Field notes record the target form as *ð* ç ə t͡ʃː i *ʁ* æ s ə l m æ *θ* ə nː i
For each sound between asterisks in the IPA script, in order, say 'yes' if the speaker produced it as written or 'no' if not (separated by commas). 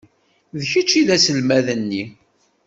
yes, no, no